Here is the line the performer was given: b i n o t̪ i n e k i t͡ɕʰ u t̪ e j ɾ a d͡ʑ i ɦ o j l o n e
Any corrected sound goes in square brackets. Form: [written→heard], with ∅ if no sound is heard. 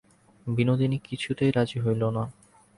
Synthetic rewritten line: b i n o [t̪→d̪] i n [e→i] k i t͡ɕʰ u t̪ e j ɾ a d͡ʑ i ɦ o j l o n [e→a]